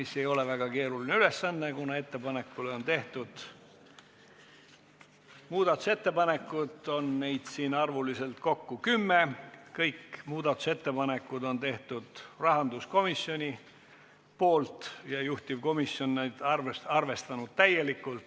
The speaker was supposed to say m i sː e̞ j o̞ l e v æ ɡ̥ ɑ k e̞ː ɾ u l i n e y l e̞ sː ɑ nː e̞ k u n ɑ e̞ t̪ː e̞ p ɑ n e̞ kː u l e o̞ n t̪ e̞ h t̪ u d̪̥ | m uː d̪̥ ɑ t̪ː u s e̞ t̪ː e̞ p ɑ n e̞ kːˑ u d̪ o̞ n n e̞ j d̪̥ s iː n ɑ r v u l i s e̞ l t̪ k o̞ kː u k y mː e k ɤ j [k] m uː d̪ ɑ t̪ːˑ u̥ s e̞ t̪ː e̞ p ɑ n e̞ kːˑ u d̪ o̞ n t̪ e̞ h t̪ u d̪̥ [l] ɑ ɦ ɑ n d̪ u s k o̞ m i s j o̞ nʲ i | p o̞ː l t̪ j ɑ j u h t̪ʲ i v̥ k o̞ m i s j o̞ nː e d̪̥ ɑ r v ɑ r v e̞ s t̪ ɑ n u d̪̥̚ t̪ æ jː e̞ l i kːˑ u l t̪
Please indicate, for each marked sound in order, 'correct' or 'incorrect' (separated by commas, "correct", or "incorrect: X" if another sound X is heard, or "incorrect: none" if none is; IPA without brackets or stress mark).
correct, incorrect: r